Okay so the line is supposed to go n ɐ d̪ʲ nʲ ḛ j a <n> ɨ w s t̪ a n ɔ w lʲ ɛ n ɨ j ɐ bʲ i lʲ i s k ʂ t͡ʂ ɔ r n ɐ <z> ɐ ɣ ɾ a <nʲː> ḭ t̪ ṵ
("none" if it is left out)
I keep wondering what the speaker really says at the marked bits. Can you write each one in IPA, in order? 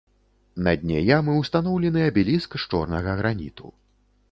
m, ɣ, nʲ

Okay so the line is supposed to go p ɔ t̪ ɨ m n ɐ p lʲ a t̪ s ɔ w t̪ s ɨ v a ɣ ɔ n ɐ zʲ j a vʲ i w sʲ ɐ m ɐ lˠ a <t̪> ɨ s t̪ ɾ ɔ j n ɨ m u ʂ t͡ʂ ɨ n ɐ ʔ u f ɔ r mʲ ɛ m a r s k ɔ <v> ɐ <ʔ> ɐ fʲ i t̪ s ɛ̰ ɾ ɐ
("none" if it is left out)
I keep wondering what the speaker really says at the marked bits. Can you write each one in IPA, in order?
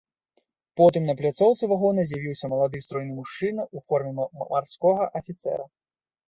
d̪, ɣ, ʔ

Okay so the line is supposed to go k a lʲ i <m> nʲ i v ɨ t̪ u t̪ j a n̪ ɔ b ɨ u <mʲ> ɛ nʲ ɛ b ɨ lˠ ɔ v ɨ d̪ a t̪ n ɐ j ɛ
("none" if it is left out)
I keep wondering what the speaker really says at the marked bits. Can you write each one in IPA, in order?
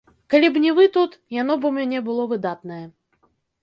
b, mʲ

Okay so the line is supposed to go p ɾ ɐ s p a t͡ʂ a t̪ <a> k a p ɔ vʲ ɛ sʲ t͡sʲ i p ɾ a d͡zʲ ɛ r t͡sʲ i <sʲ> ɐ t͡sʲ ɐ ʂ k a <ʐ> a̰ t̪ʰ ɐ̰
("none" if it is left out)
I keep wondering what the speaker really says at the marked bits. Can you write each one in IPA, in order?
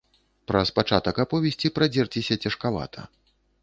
ɐ, sʲ, v

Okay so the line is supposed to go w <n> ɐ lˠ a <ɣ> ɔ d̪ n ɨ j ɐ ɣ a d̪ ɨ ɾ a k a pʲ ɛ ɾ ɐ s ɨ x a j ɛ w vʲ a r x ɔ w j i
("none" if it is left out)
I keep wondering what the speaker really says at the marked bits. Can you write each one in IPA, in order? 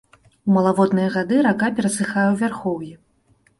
m, v

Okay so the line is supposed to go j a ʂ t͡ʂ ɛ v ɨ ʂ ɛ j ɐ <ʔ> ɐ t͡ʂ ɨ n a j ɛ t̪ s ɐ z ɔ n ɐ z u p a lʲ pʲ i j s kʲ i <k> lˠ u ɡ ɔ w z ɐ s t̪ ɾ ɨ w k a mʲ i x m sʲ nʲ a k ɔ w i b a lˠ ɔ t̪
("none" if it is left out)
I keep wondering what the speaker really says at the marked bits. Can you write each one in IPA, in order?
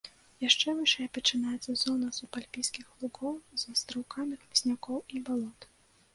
p, x

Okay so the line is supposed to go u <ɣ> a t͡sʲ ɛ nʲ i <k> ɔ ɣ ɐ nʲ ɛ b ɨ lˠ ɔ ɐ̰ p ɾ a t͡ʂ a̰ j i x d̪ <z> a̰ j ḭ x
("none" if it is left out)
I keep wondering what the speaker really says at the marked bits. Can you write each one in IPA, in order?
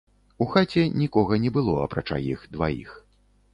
x, k, v

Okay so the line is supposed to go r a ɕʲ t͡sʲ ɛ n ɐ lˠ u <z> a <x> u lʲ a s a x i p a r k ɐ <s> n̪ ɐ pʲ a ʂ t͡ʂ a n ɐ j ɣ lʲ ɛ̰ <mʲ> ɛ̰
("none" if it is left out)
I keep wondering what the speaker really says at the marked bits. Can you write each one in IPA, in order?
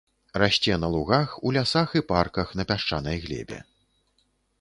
ɣ, x, x, bʲ

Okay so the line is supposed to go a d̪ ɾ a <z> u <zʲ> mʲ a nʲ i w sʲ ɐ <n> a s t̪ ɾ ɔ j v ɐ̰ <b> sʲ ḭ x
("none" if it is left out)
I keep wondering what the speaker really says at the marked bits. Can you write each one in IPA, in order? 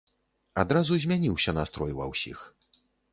z, zʲ, n, w

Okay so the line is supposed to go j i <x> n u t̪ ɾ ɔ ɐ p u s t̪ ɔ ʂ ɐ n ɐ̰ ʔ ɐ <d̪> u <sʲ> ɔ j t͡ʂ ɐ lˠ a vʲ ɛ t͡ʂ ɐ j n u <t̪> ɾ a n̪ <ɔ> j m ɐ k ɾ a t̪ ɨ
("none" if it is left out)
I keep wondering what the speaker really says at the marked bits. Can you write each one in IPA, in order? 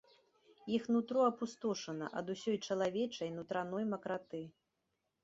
x, d̪, sʲ, t̪, ɔ

